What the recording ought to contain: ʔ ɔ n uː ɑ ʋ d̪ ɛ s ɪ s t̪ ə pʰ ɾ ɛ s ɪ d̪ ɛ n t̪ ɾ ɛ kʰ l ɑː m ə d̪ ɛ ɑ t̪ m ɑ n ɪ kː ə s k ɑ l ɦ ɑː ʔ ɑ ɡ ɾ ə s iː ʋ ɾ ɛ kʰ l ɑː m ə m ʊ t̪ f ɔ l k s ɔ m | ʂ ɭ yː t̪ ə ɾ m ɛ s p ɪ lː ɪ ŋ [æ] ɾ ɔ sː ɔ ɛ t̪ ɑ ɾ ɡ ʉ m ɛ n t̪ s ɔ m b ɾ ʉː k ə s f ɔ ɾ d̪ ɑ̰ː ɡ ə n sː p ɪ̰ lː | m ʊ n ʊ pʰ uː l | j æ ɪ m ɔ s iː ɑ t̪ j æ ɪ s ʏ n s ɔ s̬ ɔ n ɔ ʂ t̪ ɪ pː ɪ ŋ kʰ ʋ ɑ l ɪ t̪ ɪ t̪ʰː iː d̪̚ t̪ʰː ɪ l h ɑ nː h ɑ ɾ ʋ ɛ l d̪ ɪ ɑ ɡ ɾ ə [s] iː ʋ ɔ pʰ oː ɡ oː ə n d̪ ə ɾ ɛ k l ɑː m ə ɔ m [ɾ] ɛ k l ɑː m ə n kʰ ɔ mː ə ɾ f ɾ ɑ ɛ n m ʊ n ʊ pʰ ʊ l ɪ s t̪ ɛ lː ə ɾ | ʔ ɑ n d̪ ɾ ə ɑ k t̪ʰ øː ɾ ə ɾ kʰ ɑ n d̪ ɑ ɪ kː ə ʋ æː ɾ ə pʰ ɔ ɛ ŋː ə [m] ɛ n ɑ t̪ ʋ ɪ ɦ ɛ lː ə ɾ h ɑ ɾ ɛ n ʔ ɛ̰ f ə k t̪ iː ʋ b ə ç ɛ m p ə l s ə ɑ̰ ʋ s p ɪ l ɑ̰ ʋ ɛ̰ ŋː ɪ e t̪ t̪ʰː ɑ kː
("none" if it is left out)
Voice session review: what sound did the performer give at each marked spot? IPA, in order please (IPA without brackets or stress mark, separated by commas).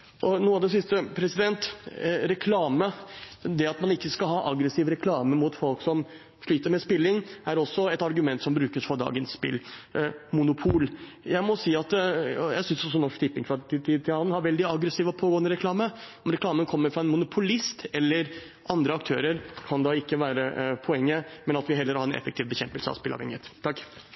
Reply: æ, s, ɾ, m